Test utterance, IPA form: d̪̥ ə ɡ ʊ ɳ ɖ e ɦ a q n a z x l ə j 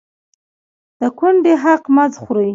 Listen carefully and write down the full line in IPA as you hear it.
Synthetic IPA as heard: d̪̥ ə k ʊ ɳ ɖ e ɦ a q m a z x ɾ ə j